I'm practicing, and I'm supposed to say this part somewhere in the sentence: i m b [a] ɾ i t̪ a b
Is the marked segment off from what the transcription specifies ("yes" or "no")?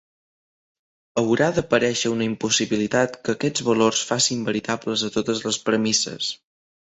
yes